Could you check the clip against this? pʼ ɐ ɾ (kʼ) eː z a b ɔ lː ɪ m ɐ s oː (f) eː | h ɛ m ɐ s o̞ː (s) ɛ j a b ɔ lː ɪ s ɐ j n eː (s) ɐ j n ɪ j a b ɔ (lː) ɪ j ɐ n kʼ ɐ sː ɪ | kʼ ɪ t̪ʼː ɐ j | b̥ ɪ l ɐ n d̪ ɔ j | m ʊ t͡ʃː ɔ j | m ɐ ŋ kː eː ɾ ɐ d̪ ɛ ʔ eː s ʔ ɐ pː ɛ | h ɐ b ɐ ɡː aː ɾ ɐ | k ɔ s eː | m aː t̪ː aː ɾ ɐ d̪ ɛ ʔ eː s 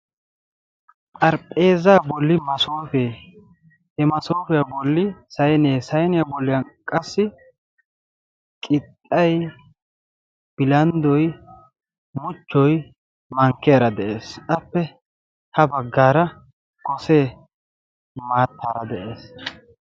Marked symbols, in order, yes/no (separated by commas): no, yes, no, yes, yes